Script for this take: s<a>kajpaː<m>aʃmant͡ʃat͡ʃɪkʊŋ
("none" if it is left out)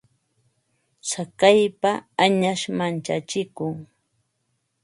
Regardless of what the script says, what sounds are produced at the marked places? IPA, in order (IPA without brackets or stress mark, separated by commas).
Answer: a, ɲ